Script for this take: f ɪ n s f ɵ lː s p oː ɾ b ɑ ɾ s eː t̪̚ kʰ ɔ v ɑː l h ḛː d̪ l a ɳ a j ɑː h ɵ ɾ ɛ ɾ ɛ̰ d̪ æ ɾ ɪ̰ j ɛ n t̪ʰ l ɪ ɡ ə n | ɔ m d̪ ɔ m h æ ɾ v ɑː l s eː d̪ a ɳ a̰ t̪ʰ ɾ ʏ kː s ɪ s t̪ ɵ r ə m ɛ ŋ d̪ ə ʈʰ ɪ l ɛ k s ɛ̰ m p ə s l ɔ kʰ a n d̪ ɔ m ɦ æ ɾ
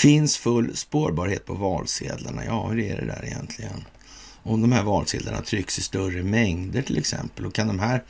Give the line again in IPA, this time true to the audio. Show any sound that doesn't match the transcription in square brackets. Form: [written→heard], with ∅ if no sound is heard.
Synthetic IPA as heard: f ɪ n s f ɵ lː s p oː ɾ b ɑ ɾ [s→h] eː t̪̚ [kʰ→pʰ] ɔ v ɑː l [h→s] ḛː d̪ l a ɳ a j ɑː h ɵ ɾ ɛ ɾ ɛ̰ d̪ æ ɾ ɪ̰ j ɛ n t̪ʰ l ɪ ɡ ə n | ɔ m d̪ ɔ m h æ ɾ v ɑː l s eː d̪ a ɳ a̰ t̪ʰ ɾ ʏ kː s ɪ s t̪ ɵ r ə m ɛ ŋ d̪ ə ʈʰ ɪ l ɛ k s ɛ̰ m p ə [s→∅] l ɔ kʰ a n d̪ ɔ m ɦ æ ɾ